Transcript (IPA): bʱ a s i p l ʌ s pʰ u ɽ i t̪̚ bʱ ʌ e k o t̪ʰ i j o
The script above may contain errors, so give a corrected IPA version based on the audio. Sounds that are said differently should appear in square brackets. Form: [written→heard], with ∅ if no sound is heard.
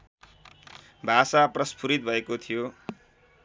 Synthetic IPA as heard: bʱ a s [i→a] p [l→r] ʌ s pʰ u [ɽ→ɾ] i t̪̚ bʱ ʌ e k o t̪ʰ i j o